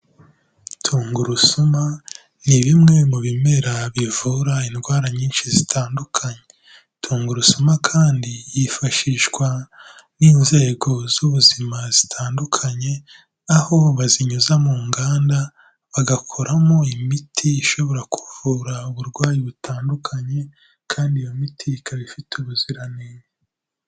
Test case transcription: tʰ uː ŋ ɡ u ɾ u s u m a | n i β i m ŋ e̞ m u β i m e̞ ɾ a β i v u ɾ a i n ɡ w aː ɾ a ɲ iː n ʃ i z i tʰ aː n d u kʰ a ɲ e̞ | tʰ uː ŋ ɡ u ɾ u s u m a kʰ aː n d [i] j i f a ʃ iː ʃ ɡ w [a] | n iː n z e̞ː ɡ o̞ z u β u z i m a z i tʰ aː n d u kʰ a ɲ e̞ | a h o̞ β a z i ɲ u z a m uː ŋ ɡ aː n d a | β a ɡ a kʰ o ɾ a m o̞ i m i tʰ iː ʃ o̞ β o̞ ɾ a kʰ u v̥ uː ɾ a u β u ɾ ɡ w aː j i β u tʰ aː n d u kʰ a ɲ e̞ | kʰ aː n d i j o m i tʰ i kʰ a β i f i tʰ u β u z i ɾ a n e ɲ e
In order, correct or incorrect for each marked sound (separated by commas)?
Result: correct, correct